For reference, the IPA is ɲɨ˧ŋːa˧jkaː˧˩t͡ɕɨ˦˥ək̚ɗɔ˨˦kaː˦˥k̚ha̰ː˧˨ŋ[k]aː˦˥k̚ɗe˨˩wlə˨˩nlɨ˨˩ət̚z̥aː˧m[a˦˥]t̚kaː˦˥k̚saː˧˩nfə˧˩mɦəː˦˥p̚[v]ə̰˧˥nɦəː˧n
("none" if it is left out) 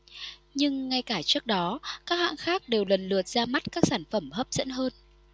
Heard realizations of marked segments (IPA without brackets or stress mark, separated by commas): x, a˦˥, z